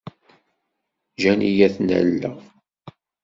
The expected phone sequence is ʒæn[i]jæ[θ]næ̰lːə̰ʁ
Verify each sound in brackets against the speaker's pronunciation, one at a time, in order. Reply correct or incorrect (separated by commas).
correct, correct